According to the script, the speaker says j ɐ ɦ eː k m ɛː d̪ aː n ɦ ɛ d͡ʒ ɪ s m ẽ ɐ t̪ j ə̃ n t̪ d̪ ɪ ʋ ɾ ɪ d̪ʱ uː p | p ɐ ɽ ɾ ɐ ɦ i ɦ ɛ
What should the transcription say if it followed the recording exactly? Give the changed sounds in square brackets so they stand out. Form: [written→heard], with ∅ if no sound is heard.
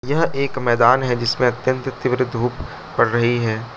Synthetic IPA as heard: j ɐ ɦ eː k m ɛː d̪ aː n ɦ ɛ d͡ʒ ɪ s m ẽ ɐ t̪ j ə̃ n t̪ [d̪→t̪] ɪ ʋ ɾ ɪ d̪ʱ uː p | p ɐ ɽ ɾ ɐ ɦ i ɦ [ɛ→ɛː]